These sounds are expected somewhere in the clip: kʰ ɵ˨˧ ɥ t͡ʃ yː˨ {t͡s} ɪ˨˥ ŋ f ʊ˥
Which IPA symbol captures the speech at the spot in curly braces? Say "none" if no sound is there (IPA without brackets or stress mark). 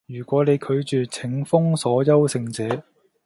t͡sʰ